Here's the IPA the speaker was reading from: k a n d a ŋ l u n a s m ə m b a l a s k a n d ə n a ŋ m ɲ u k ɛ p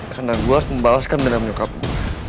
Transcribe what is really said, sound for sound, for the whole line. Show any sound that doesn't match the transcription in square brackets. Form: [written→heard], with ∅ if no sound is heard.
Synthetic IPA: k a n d a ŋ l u [n→∅] a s m ə m b a l a s k a n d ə n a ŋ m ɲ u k [ɛ→a] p